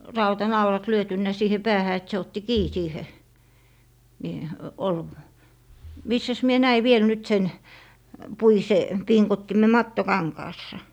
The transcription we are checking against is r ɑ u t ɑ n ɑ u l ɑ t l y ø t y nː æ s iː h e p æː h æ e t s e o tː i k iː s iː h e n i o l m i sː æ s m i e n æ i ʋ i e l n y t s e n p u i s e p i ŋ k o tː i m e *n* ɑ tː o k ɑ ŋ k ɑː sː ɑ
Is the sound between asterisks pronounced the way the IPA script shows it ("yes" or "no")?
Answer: no